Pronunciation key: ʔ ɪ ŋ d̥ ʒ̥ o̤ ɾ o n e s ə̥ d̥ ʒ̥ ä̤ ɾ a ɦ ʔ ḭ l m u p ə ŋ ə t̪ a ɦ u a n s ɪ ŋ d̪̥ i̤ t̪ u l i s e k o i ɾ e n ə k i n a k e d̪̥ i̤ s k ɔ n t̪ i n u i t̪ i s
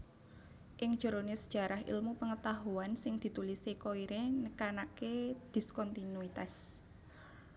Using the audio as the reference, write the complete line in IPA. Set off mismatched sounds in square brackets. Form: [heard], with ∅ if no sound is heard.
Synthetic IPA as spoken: ʔ ɪ ŋ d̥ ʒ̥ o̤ ɾ o n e s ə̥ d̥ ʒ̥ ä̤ ɾ a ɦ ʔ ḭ l m u p ə ŋ ə t̪ a ɦ u a n s ɪ ŋ d̪̥ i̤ t̪ u l i s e k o i ɾ e n ə k [a] n a k e d̪̥ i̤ s k ɔ n t̪ i n u i t̪ [a] s